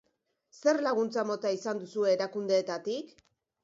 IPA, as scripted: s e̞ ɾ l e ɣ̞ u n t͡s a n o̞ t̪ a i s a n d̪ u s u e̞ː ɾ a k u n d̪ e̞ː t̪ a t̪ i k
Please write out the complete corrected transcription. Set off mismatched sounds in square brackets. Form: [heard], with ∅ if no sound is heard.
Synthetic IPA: s e̞ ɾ l [a] ɣ̞ u n t͡s a [m] o̞ t̪ a i s a n d̪ u s u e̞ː ɾ a k u n d̪ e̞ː t̪ a t̪ i k